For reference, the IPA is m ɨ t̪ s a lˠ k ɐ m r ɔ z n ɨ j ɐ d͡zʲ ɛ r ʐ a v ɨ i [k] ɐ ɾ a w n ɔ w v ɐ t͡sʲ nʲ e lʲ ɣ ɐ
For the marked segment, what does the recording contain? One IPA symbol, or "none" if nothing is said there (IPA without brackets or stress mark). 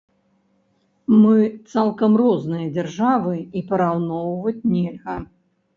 p